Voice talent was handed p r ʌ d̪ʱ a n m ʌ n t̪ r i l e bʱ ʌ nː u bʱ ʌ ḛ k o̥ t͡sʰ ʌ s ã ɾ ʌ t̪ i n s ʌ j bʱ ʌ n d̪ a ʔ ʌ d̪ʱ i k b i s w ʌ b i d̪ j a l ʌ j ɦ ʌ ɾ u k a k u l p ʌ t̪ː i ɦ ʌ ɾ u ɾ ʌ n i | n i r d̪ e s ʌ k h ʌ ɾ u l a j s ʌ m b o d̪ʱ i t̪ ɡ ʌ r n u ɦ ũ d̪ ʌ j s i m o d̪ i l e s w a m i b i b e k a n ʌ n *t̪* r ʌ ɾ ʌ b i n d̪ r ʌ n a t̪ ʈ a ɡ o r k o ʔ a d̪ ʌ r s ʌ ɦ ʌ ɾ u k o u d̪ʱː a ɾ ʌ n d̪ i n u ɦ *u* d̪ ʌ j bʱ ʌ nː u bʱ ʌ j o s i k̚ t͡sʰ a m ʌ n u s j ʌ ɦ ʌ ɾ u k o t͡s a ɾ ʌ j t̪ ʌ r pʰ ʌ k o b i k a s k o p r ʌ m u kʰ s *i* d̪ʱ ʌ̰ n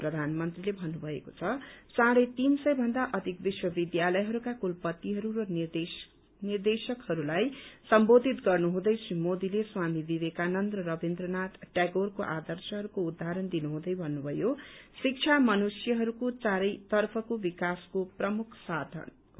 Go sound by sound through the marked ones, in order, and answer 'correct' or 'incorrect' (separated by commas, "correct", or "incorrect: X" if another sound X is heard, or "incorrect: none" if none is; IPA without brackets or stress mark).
incorrect: d̪, incorrect: ũ, incorrect: a